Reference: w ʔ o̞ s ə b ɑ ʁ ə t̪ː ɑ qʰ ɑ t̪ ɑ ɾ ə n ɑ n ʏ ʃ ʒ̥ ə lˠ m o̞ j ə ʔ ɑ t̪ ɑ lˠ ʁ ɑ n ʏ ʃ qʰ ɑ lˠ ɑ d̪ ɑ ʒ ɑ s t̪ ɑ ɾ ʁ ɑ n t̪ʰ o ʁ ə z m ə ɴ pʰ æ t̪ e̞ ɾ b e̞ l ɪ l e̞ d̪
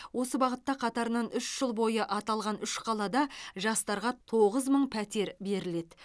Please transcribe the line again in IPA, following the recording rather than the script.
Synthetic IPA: w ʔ o̞ s ə b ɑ ʁ ə t̪ː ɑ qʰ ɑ t̪ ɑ ɾ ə n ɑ n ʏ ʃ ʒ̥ ə lˠ b o̞ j ə ʔ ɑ t̪ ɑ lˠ ʁ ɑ n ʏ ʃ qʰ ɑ lˠ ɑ d̪ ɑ ʒ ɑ s t̪ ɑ ɾ ʁ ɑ t̪ʰ o ʁ ə z m ə ɴ pʰ æ t̪ e̞ ɾ b e̞ ɾ ɪ l e̞ d̪